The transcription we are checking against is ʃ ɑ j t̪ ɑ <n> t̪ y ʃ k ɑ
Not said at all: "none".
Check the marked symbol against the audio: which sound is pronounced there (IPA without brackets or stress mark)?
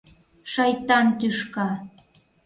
n